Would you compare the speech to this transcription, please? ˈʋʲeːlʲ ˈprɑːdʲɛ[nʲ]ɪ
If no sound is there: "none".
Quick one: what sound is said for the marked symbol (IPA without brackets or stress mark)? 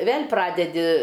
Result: dʲ